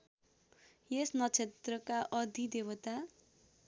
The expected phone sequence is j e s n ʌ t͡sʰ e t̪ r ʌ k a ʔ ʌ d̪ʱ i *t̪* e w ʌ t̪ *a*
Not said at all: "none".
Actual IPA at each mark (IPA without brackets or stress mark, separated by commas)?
d̪, a